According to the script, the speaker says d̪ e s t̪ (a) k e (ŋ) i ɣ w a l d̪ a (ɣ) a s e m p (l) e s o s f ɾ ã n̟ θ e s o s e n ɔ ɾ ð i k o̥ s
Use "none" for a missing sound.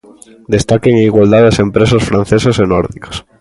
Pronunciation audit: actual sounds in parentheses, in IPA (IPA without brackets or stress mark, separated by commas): a, ŋ, ð, ɾ